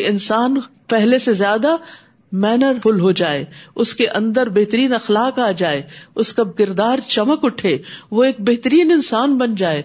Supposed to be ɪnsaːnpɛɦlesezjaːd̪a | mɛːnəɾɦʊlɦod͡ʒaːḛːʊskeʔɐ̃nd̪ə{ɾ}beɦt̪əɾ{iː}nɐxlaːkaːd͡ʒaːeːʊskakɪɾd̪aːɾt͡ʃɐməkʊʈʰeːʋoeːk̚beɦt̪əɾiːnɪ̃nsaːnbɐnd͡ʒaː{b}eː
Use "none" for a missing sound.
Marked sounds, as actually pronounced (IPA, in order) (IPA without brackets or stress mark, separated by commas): ɾ, iː, none